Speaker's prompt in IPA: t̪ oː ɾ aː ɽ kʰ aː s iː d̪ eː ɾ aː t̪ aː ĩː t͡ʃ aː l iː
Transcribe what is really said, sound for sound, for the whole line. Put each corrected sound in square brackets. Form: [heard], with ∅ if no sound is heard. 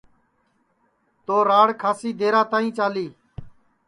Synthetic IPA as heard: t̪ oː ɾ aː ɽ kʰ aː s iː d̪ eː ɾ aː t̪ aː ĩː t͡ʃ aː l iː